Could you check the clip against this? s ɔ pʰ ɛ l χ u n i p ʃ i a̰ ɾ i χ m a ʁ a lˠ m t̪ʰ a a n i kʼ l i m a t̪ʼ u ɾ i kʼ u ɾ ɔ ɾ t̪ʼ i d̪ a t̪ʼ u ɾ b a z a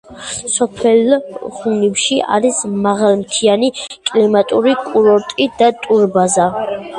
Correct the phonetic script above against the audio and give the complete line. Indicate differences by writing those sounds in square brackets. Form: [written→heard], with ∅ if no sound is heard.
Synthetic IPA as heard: s ɔ pʰ ɛ l χ u n i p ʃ i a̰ ɾ i [χ→s] m a ʁ a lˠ m t̪ʰ [a→i] a n i kʼ l i m a t̪ʼ u ɾ i kʼ u ɾ ɔ ɾ t̪ʼ i d̪ a t̪ʼ u ɾ b a z a